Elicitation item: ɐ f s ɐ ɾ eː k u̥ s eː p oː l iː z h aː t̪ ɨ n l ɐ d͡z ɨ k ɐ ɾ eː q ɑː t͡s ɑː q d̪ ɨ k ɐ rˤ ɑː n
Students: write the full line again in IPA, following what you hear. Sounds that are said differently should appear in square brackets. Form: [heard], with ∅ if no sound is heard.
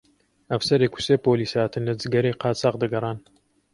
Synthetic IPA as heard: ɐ f s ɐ ɾ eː k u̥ s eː p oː l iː [s] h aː t̪ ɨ n l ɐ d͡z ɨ [ɡ] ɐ ɾ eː q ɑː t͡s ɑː q d̪ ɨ [ɡ] ɐ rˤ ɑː n

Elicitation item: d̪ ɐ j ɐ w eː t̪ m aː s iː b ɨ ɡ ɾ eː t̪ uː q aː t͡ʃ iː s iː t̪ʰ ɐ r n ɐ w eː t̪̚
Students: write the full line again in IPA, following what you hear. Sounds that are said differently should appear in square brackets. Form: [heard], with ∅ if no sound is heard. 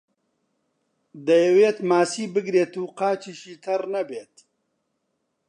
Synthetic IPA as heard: d̪ ɐ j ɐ w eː t̪ m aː s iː b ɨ ɡ ɾ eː t̪ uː q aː t͡ʃ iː [ʃ] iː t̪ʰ ɐ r n ɐ [b] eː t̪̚

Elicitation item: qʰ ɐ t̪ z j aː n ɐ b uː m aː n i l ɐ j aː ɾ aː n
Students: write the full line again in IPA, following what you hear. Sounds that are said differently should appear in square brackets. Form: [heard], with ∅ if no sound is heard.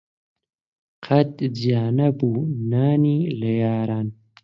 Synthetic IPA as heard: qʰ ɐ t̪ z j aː n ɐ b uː [n] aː n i l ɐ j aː ɾ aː n

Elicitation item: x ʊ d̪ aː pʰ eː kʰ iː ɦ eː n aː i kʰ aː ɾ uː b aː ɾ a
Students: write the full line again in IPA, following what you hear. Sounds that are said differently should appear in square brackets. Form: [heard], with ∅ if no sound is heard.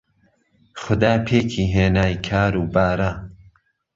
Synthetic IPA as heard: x ʊ d̪ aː pʰ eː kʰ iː ɦ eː n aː [j] kʰ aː ɾ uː b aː ɾ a

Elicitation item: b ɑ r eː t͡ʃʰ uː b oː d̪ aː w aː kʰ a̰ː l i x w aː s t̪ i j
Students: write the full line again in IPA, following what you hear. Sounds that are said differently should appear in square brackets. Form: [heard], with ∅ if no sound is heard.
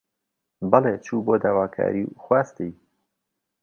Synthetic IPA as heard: b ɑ [l] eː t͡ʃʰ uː b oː d̪ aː w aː kʰ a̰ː [ɾ] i x w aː s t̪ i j

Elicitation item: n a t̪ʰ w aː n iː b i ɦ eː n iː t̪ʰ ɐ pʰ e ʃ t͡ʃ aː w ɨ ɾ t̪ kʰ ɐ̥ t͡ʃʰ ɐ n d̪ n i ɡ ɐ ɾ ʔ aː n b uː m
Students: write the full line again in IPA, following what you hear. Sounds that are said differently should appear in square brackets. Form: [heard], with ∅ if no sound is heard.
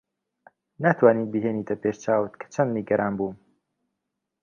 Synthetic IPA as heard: n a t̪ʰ w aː n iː b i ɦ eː n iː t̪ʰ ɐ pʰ e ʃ t͡ʃ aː w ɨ [∅] t̪ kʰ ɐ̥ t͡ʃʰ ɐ n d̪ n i ɡ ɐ ɾ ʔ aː n b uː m

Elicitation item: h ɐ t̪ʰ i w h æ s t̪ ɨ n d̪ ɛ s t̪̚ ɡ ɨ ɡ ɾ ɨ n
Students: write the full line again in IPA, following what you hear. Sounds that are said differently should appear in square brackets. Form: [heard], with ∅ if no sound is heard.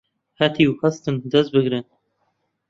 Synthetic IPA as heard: h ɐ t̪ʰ i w h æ s t̪ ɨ n d̪ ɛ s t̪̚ [b] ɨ ɡ ɾ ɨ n

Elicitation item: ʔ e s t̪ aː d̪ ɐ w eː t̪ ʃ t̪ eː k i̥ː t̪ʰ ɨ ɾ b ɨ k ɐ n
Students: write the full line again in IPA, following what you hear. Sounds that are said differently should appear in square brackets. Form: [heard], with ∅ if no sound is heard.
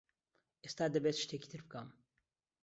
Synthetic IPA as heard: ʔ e s t̪ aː d̪ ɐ [b] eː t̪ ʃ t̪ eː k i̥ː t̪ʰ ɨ ɾ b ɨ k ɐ [m]

